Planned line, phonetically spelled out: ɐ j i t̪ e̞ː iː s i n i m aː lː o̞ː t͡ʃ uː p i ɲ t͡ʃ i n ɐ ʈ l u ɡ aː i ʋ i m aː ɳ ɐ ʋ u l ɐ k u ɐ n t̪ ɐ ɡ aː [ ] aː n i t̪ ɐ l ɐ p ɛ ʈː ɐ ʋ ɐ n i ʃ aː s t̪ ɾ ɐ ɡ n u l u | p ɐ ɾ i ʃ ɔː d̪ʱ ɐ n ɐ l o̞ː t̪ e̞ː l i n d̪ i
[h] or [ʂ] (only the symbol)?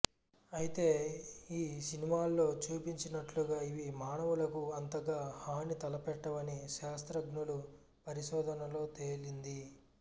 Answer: h